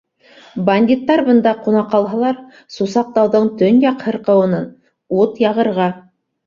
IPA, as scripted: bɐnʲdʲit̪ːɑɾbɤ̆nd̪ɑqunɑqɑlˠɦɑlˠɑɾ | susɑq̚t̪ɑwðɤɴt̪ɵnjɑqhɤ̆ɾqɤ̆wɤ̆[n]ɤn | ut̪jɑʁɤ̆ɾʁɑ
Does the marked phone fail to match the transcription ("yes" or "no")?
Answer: no